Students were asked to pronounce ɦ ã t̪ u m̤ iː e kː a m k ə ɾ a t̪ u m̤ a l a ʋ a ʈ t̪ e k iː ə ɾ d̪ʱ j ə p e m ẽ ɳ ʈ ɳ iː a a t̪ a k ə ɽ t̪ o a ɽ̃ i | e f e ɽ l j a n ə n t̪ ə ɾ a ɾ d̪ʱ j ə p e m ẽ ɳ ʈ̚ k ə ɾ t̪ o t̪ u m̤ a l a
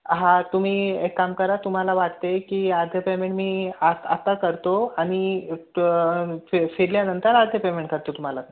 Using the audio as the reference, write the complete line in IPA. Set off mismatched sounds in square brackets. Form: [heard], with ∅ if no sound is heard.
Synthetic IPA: ɦ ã t̪ u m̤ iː e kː a m k ə ɾ a t̪ u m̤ a l a ʋ a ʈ t̪ e k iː [a] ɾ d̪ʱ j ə p e m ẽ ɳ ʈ [m] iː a a t̪ a k ə [ɾ] t̪ o a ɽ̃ i | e f e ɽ l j a n ə n t̪ ə ɾ a ɾ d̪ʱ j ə p e m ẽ ɳ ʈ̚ k ə ɾ t̪ o t̪ u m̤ a l a